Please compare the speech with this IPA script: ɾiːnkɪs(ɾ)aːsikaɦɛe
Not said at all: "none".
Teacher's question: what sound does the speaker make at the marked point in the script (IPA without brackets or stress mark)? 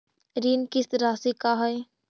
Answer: ɾ